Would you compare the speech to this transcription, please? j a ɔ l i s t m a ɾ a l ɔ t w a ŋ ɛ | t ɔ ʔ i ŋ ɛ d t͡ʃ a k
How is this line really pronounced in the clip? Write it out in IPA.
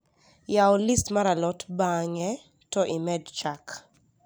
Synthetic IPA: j a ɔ l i s t m a ɾ a l ɔ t b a ŋ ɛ | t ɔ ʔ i m ɛ d t͡ʃ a k